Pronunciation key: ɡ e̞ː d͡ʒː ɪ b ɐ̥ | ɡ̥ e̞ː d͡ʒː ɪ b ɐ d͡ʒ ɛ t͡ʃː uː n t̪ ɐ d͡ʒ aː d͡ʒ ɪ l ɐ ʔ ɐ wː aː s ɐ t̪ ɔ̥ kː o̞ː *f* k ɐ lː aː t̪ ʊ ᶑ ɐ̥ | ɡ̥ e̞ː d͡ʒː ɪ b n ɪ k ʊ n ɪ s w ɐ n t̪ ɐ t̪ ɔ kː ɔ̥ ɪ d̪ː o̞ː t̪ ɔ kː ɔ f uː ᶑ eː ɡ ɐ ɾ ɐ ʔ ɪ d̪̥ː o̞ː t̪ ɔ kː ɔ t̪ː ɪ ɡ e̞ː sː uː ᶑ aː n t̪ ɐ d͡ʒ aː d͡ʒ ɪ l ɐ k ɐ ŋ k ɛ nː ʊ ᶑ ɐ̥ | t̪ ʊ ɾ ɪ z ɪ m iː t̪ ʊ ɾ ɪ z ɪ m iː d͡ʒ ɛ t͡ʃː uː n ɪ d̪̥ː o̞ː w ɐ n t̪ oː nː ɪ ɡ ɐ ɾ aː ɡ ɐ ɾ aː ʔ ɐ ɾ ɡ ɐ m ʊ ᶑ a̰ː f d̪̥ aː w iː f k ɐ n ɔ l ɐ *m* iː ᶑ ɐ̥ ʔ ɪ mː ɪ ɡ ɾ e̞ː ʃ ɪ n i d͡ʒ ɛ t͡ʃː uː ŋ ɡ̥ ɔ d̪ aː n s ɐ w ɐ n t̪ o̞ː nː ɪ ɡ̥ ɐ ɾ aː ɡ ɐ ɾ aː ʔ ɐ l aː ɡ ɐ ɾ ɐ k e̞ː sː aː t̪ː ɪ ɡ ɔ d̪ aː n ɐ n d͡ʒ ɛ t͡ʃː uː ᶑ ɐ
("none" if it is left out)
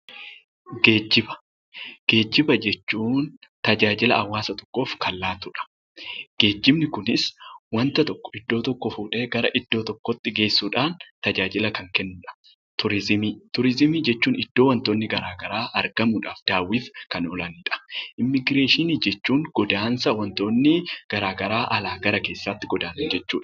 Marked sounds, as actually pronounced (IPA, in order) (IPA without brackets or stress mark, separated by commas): f, n